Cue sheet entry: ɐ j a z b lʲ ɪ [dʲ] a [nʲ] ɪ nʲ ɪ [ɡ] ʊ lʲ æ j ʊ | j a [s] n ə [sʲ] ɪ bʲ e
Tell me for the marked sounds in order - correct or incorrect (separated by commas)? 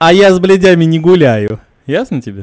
correct, incorrect, correct, correct, incorrect